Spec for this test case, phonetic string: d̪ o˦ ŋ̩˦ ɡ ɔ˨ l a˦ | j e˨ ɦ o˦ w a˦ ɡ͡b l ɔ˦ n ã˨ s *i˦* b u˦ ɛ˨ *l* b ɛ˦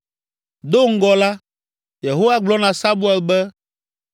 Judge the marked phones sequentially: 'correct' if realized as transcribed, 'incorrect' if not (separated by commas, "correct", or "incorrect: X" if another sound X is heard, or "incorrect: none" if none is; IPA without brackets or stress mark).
incorrect: a˦, correct